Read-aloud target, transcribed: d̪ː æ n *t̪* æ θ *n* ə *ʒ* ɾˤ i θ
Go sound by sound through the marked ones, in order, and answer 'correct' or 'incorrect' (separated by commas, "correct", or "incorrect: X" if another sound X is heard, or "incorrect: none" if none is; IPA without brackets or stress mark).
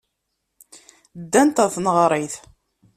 correct, correct, incorrect: ʁ